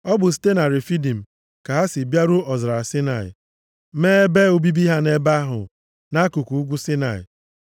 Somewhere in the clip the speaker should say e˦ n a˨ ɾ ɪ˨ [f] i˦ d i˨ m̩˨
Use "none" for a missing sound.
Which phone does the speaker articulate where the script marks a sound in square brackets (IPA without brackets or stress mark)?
f